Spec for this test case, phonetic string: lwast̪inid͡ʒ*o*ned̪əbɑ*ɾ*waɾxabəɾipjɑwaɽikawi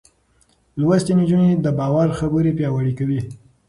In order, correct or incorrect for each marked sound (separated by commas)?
incorrect, incorrect